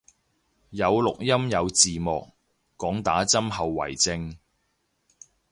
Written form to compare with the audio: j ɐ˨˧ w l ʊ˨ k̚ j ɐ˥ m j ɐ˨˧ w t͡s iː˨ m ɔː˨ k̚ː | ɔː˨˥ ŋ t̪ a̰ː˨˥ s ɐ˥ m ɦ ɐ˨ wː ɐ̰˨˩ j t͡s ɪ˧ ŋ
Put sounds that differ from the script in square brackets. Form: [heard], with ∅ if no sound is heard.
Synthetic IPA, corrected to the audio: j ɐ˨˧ w l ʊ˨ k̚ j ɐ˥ m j ɐ˨˧ w t͡s iː˨ m ɔː˨ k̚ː | ɔː˨˥ ŋ t̪ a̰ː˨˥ [t͡s] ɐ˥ m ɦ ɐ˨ wː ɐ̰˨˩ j t͡s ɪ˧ ŋ